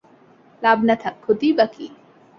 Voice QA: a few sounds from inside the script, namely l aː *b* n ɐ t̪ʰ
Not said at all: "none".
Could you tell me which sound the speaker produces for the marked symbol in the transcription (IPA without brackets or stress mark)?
b